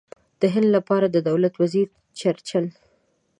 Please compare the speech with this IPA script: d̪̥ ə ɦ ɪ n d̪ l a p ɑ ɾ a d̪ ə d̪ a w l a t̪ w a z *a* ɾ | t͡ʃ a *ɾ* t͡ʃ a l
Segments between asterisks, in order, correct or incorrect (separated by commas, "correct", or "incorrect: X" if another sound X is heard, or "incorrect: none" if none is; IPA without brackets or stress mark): incorrect: i, correct